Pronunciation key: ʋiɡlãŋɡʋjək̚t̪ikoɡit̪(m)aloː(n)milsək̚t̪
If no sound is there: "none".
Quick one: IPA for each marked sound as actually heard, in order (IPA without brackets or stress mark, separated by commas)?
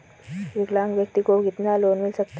n, n